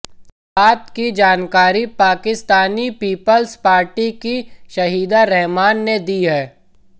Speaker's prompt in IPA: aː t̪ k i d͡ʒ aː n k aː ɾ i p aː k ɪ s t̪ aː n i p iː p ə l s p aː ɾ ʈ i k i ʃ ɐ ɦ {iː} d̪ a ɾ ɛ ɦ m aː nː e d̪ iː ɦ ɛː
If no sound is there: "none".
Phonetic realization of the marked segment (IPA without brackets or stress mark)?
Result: iː